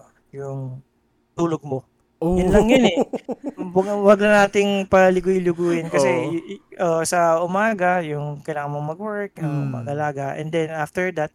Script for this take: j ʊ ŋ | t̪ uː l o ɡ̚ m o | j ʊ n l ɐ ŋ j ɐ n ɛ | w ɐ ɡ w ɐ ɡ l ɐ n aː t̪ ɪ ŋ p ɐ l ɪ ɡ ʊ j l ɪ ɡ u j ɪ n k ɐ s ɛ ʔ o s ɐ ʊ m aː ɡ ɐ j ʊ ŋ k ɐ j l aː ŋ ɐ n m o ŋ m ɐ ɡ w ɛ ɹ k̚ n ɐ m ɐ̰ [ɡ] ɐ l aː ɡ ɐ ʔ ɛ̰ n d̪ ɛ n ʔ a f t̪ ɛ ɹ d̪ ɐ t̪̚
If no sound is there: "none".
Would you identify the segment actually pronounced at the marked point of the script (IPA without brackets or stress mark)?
ɡ